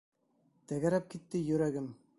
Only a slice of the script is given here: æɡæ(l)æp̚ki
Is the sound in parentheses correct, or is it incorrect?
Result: incorrect